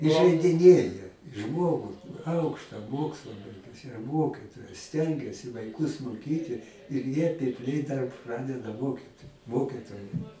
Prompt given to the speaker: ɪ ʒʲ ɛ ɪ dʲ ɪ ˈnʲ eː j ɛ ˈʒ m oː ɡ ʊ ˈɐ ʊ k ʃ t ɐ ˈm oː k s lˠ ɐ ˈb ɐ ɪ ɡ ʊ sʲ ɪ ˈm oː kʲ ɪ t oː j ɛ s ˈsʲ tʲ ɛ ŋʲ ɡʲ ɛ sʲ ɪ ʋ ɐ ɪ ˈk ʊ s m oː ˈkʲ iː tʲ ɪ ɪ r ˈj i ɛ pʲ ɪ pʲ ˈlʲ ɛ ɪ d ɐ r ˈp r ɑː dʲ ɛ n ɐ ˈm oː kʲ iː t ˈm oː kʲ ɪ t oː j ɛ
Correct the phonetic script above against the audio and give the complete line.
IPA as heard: ɪ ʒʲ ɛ ɪ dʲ ɪ ˈnʲ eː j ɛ ˈʒ m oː ɡ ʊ ˈɐ ʊ k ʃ t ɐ ˈm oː k s lˠ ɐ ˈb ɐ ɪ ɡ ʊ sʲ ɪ ˈm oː kʲ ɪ t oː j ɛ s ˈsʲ tʲ ɛ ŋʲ ɡʲ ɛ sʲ ɪ ʋ ɐ ɪ ˈk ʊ s m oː ˈkʲ iː tʲ ɪ ɪ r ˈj i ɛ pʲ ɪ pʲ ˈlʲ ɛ ɪ d ɐ r ˈp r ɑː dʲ ɛ d ɐ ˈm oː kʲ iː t ˈm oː kʲ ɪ t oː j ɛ